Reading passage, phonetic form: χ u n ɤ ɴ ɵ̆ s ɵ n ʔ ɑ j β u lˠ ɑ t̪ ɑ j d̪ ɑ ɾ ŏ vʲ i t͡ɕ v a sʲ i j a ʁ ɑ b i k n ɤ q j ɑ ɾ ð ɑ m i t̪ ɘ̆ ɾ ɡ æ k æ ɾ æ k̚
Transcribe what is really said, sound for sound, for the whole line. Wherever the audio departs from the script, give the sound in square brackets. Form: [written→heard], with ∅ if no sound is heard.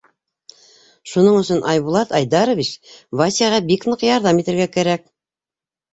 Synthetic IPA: [χ→ʃ] u n ɤ ɴ ɵ̆ s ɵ n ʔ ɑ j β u lˠ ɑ t̪ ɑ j d̪ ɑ ɾ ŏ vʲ i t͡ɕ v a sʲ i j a ʁ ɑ b i k n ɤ q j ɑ ɾ ð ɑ m i t̪ ɘ̆ ɾ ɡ æ k æ ɾ æ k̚